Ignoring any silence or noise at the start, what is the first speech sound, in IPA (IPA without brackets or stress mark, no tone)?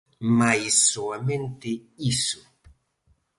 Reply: m